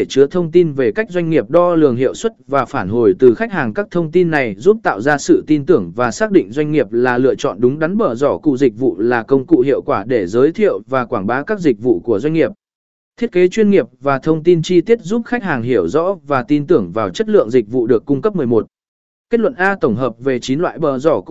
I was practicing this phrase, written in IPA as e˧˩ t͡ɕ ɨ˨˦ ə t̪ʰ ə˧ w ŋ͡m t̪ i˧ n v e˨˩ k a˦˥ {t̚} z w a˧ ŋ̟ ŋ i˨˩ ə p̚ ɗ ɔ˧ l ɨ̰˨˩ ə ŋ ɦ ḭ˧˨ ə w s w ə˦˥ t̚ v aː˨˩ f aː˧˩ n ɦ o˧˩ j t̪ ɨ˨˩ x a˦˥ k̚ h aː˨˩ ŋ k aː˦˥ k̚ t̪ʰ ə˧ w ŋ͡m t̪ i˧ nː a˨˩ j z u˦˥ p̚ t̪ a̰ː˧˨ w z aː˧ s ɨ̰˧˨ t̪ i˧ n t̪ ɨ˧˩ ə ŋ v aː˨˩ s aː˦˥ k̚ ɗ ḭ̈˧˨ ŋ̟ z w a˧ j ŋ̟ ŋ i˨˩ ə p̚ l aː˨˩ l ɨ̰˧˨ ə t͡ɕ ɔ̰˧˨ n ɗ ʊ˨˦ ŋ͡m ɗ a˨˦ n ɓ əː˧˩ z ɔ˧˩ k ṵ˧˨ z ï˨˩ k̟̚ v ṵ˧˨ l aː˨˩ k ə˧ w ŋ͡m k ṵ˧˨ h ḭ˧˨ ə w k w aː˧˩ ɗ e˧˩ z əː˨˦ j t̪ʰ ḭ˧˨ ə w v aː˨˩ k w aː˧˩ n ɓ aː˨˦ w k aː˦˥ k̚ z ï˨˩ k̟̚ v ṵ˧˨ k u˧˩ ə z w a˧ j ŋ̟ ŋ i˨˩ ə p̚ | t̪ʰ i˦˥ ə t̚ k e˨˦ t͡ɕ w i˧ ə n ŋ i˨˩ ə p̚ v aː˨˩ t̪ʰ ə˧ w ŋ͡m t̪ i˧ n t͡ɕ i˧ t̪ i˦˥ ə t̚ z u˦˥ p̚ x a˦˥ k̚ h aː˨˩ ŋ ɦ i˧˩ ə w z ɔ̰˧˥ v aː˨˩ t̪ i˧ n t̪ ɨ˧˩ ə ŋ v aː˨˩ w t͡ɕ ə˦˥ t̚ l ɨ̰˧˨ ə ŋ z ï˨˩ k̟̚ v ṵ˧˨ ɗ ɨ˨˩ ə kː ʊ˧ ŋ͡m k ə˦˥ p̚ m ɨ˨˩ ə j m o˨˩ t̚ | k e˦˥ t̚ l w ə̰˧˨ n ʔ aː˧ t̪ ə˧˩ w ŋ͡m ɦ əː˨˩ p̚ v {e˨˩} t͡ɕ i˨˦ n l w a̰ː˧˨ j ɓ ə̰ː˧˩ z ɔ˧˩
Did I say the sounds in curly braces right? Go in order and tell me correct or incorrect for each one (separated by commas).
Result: incorrect, correct